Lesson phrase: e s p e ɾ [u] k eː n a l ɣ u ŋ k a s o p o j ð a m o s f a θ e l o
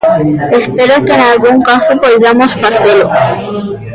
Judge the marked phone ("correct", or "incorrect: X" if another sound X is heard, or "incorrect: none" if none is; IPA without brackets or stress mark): incorrect: o